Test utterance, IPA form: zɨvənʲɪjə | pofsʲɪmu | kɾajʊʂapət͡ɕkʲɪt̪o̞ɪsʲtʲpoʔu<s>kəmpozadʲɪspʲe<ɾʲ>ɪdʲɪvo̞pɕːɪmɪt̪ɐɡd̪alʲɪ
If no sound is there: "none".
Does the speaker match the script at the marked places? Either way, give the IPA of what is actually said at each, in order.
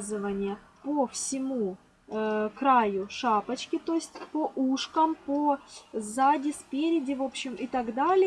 ʂ, ɾʲ

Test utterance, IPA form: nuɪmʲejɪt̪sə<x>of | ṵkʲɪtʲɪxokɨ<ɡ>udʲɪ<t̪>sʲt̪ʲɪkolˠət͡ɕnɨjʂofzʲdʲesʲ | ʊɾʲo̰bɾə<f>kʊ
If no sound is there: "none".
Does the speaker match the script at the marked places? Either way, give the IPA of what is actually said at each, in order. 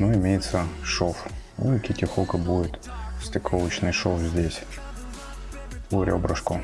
ʂ, b, t̪, ʂ

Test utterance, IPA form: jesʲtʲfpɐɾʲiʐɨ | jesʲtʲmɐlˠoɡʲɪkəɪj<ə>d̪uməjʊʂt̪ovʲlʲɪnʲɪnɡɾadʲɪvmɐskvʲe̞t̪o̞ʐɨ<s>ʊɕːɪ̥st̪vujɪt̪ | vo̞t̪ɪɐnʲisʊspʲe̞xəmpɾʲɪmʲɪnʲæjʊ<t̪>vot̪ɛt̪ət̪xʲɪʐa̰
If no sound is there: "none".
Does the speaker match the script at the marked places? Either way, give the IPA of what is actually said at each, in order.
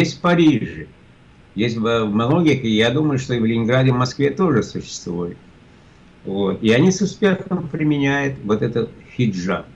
a, s, t̪

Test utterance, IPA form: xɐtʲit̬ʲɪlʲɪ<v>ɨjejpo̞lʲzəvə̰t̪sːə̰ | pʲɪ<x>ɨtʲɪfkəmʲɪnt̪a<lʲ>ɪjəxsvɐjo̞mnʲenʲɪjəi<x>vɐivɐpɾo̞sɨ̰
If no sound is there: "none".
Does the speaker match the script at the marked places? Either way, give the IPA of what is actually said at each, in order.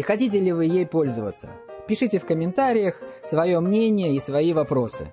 v, ʂ, ɾʲ, s

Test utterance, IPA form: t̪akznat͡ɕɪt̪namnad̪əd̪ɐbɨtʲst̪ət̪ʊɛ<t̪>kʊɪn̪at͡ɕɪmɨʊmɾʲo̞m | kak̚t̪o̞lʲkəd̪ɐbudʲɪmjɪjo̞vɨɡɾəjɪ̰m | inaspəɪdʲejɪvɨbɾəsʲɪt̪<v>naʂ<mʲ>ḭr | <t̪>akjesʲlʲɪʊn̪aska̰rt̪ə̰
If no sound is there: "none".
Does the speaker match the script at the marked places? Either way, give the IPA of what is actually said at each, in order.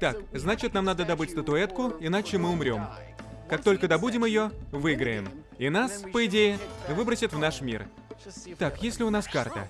t̪, v, mʲ, t̪

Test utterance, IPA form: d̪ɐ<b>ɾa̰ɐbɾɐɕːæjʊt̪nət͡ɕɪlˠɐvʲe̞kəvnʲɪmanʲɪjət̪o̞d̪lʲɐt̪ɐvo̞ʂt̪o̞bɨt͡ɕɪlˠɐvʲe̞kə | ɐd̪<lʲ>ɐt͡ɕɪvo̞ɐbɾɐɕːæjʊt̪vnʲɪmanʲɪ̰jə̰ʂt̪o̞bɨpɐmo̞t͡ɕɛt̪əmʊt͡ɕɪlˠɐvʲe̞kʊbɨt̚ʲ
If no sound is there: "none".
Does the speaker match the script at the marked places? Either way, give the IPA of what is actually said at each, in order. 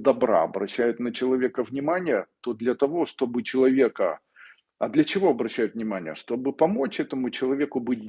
b, lʲ

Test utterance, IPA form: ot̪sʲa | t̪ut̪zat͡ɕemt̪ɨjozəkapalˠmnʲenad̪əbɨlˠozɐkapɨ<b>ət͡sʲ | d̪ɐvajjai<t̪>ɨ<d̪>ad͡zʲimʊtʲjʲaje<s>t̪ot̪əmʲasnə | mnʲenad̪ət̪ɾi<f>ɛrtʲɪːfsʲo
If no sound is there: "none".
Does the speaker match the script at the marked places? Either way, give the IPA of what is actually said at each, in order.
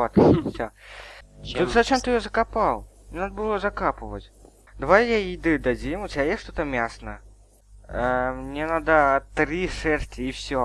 v, d̪, d̪, ʂ, ʂ

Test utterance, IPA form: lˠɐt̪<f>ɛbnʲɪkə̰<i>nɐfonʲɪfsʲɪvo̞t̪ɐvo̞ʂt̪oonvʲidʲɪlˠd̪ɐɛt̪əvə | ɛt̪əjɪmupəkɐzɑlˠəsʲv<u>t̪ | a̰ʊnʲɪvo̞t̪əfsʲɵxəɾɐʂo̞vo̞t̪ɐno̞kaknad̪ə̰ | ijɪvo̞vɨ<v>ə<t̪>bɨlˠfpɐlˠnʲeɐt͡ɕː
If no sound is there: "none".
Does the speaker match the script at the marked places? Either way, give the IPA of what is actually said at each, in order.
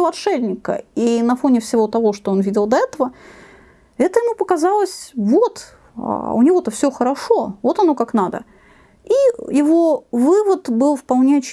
ʂ, i, o, v, t̪

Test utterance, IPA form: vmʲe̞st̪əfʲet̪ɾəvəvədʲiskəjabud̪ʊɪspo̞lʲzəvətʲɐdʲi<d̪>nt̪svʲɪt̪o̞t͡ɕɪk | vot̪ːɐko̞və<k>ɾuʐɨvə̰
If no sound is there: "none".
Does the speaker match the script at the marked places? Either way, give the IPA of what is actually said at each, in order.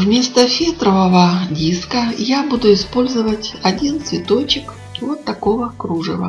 none, k

